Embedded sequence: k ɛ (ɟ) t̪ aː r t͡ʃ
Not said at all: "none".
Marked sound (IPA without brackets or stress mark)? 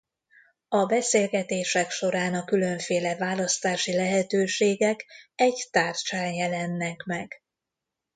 ɟ